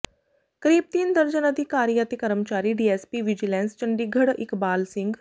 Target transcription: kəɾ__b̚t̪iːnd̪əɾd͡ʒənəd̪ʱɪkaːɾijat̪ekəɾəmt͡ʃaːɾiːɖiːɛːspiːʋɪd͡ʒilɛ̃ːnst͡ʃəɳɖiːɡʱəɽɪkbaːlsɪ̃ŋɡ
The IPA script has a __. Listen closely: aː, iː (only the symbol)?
iː